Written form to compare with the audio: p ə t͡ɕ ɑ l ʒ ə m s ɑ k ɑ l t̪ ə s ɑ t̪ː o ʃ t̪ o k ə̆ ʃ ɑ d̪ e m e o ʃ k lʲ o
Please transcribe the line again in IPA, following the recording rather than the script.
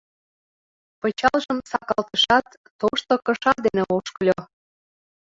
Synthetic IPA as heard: p ə t͡ɕ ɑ l ʒ ə m s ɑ k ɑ l t̪ ə ʃ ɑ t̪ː o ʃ t̪ o k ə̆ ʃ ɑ d̪ e n e o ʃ k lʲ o